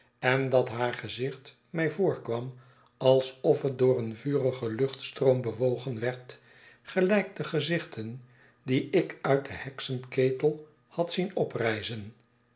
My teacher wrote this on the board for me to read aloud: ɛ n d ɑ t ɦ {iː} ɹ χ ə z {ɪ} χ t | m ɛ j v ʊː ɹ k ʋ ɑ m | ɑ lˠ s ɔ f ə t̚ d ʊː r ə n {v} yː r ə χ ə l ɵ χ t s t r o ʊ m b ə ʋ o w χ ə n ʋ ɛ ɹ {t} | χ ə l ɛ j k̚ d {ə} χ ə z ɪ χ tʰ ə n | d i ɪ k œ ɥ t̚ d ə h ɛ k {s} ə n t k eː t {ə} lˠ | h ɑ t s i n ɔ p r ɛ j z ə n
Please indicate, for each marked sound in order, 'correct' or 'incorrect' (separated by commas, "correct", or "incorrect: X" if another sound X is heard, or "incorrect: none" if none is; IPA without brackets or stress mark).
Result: incorrect: aː, correct, correct, correct, correct, correct, correct